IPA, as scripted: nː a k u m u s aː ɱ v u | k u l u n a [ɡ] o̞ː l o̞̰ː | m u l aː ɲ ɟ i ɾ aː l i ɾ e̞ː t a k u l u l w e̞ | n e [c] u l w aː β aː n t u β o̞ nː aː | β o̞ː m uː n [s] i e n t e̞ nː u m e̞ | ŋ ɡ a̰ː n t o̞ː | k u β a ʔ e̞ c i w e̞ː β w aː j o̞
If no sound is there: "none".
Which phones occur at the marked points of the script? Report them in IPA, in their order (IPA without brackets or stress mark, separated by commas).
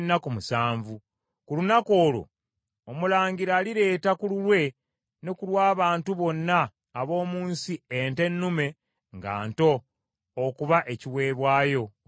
k, k, s